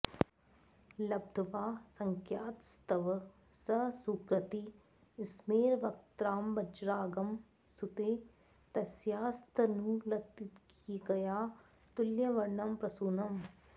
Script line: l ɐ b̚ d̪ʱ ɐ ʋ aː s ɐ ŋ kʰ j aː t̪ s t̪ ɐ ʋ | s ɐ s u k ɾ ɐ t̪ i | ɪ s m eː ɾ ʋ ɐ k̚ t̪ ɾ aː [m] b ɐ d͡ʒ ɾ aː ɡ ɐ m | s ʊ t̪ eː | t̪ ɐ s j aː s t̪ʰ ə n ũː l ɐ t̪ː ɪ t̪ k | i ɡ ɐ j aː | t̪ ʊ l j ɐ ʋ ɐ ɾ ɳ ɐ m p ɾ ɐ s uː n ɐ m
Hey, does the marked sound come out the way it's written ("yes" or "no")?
yes